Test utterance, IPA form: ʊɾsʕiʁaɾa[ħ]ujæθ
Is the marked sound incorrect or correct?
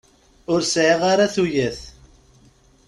incorrect